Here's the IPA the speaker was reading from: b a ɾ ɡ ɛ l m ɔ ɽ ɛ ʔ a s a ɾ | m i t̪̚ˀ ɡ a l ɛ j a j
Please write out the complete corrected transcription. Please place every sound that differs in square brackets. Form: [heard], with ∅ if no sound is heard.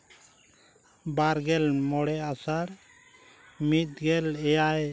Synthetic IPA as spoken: b a ɾ ɡ ɛ l m ɔ ɽ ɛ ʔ a s a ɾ | m i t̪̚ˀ ɡ [ɛ] l ɛ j a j